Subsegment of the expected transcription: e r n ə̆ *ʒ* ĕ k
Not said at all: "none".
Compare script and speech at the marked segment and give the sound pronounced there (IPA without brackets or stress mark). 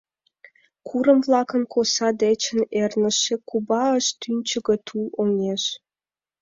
ʃ